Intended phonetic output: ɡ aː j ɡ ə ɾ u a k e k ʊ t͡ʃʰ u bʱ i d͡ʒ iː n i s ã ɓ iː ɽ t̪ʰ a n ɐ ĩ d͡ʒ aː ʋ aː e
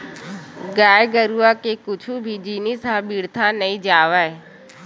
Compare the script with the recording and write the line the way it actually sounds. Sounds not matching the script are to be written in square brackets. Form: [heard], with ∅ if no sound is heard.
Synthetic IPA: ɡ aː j ɡ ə ɾ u a k e k ʊ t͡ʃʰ u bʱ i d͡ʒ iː n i s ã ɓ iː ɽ t̪ʰ a n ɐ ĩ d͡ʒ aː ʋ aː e